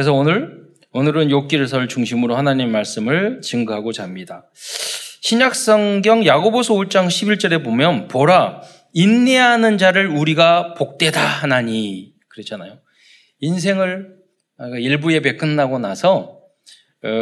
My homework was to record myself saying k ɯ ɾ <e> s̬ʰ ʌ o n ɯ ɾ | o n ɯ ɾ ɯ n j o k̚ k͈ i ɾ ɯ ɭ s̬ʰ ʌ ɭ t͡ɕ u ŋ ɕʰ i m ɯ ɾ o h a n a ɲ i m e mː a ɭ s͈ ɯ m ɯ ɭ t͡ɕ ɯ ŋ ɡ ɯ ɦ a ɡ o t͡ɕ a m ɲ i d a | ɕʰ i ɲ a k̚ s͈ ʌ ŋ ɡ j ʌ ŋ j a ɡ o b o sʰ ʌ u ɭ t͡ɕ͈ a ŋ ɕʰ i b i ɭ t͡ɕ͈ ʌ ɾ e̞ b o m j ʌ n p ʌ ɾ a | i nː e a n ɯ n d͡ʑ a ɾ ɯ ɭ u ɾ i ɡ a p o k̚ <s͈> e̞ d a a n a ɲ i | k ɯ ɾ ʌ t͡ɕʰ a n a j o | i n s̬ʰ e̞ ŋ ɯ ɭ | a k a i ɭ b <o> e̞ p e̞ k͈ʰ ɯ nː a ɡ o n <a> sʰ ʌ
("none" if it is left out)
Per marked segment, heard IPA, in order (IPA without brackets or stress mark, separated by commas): e, t͈, u, a